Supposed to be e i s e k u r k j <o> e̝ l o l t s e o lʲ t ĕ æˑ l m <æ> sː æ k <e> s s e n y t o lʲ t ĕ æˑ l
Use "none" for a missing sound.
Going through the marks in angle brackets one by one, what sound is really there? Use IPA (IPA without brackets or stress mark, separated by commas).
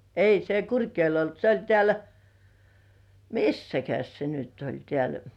o, i, æ